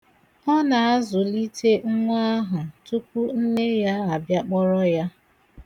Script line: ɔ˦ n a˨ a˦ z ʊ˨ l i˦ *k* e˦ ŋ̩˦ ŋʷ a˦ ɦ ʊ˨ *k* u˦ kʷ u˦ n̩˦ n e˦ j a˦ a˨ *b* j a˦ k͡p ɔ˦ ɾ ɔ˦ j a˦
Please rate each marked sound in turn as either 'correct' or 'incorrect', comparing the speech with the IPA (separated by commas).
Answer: incorrect, incorrect, correct